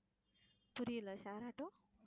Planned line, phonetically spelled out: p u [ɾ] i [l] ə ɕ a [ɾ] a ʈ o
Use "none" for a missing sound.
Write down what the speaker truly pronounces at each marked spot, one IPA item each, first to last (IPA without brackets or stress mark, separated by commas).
ɾ, l, ɾ